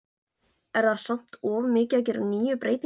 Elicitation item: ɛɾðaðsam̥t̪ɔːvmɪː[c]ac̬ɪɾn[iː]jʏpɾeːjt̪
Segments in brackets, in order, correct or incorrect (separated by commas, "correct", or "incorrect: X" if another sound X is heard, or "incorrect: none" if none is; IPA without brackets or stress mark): correct, correct